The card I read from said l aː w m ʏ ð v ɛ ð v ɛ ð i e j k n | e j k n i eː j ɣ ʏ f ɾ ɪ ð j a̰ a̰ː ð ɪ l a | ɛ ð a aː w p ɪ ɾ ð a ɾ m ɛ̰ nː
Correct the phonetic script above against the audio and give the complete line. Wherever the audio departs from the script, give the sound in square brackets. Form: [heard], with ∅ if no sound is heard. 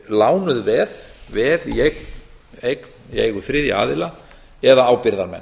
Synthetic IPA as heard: l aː w [n] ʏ ð v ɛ ð v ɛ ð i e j k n | e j k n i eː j ɣ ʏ [θ] ɾ ɪ ð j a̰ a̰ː ð ɪ l a | ɛ ð a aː w p ɪ ɾ ð a ɾ m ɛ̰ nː

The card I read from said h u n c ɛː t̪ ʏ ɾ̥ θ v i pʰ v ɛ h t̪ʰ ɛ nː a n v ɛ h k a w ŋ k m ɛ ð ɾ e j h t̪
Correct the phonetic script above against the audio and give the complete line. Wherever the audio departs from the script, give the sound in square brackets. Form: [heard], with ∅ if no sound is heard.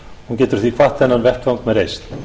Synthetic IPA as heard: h u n c ɛː t̪ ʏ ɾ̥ θ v i [kʰ] v [a] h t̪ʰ ɛ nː a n v ɛ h k a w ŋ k m ɛ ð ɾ e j [s] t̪

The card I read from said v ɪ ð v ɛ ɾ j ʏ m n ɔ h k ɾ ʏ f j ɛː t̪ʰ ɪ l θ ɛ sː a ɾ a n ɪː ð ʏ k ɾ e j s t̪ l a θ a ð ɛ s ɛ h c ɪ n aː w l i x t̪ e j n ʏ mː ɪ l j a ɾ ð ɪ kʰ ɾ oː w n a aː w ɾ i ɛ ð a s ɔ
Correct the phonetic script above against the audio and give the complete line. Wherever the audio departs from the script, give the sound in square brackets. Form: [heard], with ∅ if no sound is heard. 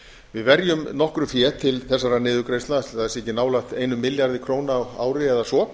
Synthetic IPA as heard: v ɪ ð v ɛ ɾ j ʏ m n ɔ h k ɾ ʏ f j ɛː t̪ʰ ɪ l θ ɛ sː a ɾ a n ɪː ð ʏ k ɾ e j s t̪ l a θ a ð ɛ s ɛ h c ɪ n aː w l [a] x t̪ e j n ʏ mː ɪ l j a ɾ ð ɪ kʰ ɾ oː w n a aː w ɾ [ɪ] ɛ ð a s ɔ

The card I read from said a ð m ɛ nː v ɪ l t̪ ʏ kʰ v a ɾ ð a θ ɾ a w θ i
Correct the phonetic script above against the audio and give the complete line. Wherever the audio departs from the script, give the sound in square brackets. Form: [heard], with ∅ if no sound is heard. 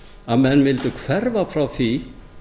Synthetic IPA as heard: a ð m ɛ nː v ɪ l t̪ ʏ kʰ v [ɛ] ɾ [v] a [f] ɾ a w θ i

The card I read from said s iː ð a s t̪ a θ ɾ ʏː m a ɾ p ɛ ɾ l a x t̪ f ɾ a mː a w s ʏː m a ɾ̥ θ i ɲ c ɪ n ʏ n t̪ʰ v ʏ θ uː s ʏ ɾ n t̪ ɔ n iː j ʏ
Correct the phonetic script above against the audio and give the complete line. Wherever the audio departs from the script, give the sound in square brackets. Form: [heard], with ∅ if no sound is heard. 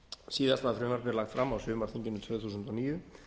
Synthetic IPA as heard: s iː ð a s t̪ a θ ɾ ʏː m a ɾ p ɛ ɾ l a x t̪ f ɾ a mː a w s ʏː m a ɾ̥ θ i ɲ c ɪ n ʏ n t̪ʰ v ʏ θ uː s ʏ [∅] n t̪ ɔ n iː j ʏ

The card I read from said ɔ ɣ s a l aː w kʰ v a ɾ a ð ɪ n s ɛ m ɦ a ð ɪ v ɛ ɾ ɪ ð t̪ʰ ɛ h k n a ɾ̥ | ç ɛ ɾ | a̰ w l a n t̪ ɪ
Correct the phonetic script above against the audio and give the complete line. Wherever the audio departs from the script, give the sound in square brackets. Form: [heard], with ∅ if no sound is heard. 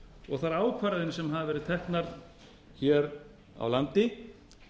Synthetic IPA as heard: ɔ ɣ [θ] a [ɾ] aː w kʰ v a ɾ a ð ɪ n s ɛ m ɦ a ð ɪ v ɛ ɾ ɪ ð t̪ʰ ɛ h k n a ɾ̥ | ç ɛ ɾ | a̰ w l a n t̪ ɪ

